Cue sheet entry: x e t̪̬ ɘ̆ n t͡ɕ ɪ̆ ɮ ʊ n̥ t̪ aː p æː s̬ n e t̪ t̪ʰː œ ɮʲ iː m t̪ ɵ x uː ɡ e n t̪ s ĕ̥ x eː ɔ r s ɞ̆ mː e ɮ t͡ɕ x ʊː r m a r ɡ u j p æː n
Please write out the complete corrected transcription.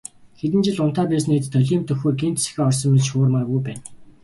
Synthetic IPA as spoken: x e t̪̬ ɘ̆ n t͡ɕ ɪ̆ ɮ ʊ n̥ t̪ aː p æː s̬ n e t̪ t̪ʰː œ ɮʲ iː m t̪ ɵ x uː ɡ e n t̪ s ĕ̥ x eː ɔ r s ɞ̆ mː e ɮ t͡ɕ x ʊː r m a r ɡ u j p æː n